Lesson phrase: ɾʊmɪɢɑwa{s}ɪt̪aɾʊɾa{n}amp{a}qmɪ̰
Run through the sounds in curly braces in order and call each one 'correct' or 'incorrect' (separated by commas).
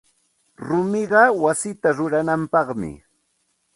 correct, correct, incorrect